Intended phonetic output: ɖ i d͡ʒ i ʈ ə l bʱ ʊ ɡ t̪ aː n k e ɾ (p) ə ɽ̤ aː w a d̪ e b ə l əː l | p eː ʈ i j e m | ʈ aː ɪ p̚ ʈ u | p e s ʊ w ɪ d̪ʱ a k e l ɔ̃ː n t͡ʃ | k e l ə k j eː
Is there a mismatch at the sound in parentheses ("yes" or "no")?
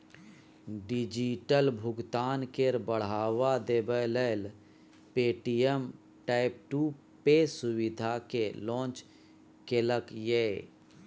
yes